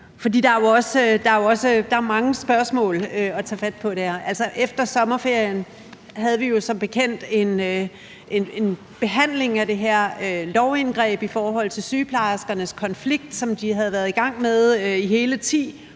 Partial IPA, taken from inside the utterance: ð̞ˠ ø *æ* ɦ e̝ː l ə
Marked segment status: incorrect: i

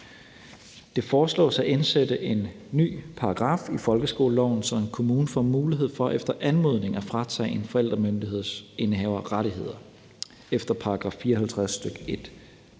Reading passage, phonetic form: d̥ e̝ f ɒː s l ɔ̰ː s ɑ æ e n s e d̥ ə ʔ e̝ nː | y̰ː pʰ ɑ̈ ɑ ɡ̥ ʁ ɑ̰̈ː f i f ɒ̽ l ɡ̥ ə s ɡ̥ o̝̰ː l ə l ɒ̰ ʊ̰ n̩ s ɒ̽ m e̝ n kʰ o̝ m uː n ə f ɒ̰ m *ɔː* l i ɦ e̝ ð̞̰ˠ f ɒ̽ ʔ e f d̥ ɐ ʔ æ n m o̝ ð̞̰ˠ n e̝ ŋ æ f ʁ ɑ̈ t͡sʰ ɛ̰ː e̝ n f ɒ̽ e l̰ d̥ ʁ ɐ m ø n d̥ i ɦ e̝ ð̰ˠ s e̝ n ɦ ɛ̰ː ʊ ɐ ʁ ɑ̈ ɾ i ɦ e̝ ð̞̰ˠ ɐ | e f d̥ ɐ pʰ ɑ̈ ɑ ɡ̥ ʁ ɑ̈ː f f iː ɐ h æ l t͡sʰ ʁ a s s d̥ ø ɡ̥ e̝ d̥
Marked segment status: incorrect: uː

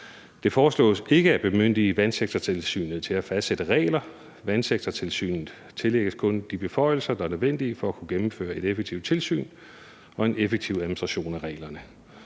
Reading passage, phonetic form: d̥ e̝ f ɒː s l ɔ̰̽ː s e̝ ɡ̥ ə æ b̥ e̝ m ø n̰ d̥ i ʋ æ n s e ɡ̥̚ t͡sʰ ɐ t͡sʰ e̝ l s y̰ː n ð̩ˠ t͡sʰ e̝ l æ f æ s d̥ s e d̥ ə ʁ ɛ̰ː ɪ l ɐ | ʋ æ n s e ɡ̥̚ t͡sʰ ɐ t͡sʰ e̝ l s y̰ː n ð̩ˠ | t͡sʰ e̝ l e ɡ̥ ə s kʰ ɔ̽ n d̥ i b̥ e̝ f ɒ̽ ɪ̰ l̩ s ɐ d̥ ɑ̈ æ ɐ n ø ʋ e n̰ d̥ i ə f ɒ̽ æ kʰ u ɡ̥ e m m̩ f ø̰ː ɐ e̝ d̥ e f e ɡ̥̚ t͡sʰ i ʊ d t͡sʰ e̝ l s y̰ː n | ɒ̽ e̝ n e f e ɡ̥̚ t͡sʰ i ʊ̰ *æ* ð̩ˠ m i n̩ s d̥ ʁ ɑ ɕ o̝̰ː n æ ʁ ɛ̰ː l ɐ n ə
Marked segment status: correct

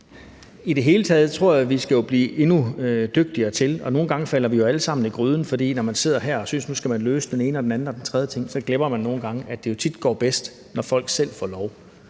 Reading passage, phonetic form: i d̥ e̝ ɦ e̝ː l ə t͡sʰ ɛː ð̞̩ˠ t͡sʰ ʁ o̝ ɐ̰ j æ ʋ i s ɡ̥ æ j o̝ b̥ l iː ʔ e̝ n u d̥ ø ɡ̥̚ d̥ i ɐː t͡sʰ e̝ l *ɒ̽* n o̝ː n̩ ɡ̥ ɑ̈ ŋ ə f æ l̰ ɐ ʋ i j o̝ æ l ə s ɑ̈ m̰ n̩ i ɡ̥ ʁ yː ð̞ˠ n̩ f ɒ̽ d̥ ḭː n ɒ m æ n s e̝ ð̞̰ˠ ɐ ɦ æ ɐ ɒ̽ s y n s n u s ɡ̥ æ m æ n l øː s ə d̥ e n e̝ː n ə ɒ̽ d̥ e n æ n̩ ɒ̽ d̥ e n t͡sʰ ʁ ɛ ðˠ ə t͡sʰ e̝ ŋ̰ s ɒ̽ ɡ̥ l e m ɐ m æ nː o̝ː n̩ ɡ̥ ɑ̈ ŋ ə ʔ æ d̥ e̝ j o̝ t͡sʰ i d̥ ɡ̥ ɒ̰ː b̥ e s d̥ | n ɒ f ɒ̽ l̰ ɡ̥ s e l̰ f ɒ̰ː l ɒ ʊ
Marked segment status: correct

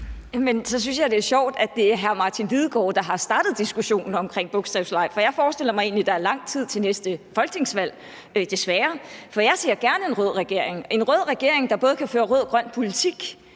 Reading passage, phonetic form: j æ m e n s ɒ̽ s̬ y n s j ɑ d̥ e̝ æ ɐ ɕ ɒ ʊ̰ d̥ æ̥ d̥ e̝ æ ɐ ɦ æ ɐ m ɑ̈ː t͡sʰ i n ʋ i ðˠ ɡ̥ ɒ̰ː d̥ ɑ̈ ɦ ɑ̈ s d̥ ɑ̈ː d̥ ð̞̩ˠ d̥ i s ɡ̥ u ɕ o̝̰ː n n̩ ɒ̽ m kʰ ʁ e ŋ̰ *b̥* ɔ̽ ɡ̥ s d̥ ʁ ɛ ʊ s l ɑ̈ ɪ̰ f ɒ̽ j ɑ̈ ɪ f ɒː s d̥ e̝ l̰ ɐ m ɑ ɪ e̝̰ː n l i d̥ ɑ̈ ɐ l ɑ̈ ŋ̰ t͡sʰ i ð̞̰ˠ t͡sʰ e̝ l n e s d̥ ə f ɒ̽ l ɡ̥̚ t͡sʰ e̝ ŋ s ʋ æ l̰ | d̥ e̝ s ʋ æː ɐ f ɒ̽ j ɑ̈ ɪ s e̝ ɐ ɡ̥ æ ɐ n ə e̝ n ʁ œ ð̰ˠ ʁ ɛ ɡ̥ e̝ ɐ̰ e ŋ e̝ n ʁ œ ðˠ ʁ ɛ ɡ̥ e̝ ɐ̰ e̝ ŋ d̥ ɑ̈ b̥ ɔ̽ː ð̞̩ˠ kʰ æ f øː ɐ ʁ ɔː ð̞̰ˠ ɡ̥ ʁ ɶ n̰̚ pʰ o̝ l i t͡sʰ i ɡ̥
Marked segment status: correct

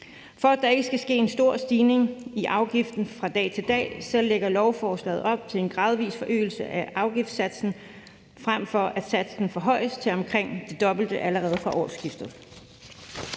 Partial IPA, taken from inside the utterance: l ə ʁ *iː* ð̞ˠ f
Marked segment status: incorrect: ɛː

